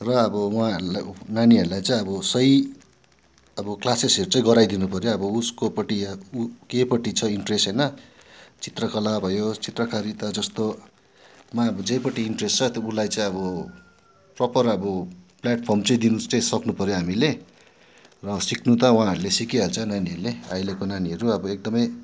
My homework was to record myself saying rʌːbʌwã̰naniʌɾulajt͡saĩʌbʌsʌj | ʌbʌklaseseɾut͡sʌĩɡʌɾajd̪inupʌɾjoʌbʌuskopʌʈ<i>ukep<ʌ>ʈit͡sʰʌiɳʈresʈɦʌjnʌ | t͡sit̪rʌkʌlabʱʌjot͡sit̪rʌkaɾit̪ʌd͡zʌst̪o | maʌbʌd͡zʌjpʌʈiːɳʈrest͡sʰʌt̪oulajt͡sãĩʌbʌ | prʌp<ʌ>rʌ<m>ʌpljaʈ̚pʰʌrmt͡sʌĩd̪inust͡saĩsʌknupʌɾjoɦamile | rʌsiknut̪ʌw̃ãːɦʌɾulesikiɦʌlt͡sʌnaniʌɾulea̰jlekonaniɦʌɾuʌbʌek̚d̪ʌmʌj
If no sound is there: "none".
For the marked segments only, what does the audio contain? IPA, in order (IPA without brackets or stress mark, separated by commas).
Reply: i, ʌ, ʌ, b